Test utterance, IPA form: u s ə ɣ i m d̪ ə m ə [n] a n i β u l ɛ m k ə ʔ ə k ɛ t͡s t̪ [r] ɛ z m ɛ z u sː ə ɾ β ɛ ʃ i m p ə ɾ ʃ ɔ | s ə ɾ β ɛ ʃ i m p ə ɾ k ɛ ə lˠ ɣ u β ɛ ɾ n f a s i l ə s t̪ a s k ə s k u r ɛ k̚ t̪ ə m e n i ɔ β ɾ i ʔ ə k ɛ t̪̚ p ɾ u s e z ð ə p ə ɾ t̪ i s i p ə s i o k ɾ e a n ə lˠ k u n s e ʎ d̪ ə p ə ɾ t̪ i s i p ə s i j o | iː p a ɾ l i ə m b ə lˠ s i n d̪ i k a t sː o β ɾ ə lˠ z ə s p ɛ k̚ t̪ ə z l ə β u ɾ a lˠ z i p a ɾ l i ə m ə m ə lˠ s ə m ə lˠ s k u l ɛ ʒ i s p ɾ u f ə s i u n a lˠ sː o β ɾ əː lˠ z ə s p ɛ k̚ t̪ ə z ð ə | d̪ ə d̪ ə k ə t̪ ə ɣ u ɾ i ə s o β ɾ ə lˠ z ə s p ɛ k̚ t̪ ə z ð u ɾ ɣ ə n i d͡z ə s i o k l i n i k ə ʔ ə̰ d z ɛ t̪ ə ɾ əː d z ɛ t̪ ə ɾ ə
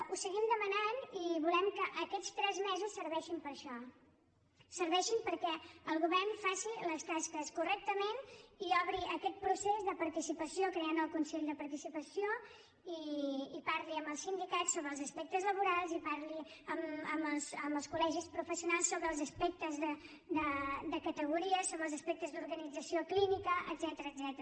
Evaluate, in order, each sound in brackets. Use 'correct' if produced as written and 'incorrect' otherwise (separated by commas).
correct, incorrect